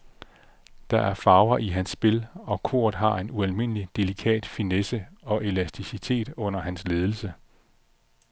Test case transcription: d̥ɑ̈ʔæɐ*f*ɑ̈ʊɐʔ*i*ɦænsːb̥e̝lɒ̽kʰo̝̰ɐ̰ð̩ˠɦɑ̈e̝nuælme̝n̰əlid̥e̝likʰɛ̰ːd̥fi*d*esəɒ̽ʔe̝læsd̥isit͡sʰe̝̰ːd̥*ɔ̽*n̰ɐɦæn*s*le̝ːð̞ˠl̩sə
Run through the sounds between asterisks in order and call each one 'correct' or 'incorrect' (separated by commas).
correct, correct, incorrect, correct, correct